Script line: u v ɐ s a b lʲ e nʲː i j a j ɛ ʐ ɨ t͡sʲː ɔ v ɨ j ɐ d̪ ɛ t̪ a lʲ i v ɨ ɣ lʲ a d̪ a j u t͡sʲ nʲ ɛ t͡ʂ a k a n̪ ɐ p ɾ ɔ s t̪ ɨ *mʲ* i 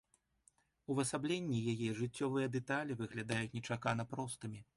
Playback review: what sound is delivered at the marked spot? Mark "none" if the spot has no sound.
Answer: mʲ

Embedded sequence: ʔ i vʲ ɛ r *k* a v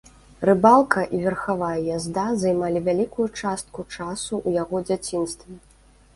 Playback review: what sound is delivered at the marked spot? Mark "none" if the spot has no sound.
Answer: x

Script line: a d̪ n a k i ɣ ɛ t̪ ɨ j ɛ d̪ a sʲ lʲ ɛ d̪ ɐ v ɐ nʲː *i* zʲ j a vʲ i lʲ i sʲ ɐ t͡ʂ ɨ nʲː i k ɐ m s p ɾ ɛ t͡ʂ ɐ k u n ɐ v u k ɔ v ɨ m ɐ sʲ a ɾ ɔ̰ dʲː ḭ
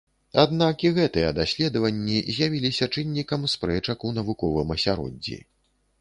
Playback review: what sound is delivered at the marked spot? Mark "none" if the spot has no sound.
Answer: i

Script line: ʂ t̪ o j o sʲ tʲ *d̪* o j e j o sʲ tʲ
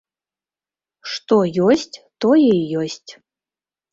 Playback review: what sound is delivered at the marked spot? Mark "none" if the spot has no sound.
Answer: t̪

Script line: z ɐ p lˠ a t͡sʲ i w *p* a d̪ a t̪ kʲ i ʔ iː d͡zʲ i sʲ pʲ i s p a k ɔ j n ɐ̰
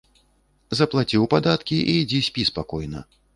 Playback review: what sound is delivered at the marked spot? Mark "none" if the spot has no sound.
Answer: p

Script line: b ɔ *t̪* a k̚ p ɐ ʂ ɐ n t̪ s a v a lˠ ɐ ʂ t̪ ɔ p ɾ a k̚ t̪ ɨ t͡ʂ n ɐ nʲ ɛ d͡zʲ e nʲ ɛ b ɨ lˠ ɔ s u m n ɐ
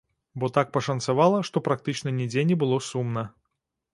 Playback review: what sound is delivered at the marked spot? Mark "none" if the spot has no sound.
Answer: t̪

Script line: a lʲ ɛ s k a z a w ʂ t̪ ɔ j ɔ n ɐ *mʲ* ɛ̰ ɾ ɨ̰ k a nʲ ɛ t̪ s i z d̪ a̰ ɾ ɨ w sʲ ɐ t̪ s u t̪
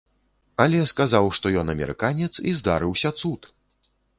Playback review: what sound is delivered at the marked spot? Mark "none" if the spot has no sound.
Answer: mʲ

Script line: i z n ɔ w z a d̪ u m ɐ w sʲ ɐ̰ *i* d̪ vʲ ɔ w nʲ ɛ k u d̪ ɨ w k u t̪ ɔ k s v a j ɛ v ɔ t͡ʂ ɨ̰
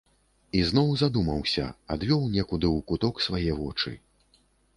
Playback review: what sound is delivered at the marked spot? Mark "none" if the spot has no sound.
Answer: a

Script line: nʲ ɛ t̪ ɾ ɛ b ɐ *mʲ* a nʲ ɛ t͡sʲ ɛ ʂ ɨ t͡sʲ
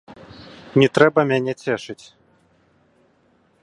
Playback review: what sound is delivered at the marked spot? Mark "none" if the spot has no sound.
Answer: mʲ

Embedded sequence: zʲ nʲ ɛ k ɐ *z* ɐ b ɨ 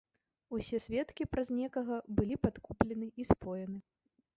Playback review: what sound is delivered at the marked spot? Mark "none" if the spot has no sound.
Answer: ɣ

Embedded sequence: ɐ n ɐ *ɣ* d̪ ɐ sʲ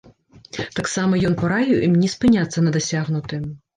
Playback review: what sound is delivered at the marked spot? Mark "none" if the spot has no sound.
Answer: none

